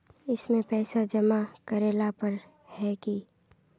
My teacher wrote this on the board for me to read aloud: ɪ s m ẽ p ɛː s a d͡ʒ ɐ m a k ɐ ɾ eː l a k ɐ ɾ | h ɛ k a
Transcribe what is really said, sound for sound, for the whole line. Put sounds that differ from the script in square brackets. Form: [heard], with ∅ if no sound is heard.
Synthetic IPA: ɪ s m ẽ p ɛː s a d͡ʒ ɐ m a k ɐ ɾ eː l a [p] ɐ ɾ | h ɛ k [i]